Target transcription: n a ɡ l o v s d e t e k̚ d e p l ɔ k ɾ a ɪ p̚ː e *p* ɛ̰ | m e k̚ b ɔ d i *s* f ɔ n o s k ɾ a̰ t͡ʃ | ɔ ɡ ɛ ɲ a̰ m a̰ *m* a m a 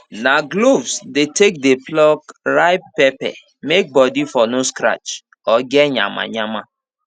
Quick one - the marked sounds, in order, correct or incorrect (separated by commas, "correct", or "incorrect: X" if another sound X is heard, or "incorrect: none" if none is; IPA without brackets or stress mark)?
correct, incorrect: none, incorrect: ɲ